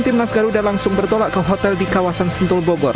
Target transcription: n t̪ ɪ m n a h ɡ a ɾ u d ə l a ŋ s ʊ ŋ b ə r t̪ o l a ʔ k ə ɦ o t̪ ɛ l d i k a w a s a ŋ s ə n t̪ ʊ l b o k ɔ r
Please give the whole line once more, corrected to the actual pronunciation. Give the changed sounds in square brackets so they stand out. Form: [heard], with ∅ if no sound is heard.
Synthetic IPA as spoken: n t̪ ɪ m n a [s] ɡ a ɾ u d [a] l a ŋ s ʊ ŋ b ə r t̪ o l a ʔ k ə ɦ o t̪ ɛ l d i k a w a s a [n] s ə n t̪ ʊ l b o [ɡ] ɔ r